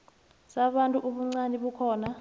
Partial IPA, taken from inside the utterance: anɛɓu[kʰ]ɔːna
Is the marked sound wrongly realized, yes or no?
no